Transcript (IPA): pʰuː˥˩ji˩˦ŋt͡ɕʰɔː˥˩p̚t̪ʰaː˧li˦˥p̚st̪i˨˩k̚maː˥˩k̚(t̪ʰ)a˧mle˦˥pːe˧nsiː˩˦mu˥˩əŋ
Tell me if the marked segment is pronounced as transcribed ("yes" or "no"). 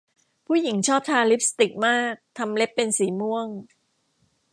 yes